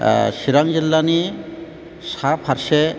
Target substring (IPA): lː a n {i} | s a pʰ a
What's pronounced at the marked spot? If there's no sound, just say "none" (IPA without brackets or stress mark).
i